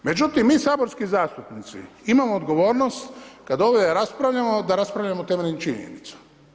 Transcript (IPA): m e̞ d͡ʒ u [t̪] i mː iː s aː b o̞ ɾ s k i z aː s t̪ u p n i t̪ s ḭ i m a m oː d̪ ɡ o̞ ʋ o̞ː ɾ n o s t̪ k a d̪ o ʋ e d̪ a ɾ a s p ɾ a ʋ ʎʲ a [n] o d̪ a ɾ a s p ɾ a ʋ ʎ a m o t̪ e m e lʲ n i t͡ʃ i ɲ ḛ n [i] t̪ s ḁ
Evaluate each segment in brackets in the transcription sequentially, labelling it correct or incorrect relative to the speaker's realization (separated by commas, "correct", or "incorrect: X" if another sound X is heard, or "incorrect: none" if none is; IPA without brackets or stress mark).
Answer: correct, incorrect: m, correct